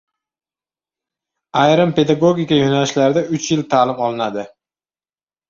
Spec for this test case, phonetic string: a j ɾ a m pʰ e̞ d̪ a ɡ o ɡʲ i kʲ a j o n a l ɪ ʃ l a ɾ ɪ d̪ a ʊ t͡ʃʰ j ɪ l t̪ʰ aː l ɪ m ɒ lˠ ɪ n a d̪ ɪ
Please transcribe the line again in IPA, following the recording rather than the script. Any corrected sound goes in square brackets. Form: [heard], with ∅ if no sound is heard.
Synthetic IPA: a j ɾ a m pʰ e̞ d̪ a ɡ o ɡʲ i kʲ a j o n a l ɪ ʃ l a ɾ ɪ d̪ a ʊ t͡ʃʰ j ɪ l t̪ʰ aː l ɪ m ɒ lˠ ɪ n a d̪ ɪ